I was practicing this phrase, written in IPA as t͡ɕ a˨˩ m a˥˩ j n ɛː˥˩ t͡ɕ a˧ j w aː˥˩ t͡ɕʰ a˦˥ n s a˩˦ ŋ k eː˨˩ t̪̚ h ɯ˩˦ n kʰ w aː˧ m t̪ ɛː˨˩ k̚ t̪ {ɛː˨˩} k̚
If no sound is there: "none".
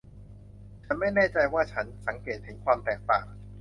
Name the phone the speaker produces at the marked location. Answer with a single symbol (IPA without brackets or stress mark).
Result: aː˨˩